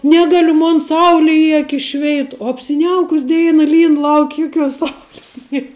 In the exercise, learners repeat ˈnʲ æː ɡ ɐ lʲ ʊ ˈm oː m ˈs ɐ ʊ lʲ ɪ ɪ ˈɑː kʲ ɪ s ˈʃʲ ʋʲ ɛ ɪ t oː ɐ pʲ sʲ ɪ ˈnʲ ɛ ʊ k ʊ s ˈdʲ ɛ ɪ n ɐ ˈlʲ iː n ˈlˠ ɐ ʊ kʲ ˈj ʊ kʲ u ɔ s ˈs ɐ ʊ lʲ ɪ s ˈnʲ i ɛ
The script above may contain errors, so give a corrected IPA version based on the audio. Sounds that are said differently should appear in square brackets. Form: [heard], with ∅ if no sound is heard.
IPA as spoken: ˈnʲ æː ɡ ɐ lʲ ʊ ˈm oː [n] ˈs ɐ ʊ lʲ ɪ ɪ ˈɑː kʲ ɪ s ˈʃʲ ʋʲ ɛ ɪ t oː ɐ pʲ sʲ ɪ ˈnʲ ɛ ʊ k ʊ s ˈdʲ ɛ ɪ n ɐ ˈlʲ iː n ˈlˠ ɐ ʊ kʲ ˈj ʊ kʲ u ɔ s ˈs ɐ ʊ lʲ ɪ s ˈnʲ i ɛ